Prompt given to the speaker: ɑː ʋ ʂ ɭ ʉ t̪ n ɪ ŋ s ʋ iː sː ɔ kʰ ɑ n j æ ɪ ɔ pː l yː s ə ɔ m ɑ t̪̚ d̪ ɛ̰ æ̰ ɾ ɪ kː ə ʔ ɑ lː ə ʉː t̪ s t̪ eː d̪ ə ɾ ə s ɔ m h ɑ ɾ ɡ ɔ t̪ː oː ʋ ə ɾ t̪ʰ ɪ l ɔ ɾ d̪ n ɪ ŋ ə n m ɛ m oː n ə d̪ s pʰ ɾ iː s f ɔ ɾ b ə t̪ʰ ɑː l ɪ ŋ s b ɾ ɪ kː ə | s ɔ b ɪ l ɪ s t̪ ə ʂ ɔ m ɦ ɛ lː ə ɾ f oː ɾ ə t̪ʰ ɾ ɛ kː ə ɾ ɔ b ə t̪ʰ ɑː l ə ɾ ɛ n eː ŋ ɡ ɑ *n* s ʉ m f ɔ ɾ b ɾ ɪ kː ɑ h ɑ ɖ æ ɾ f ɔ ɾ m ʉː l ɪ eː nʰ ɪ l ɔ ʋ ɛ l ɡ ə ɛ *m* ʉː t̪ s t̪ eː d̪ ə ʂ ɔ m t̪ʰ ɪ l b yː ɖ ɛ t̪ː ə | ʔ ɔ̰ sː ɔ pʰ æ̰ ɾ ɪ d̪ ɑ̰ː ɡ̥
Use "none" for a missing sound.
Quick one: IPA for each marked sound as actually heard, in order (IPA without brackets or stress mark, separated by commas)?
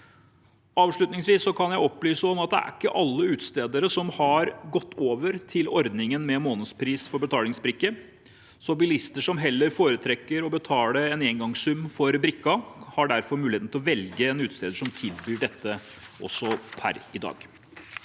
ŋ, n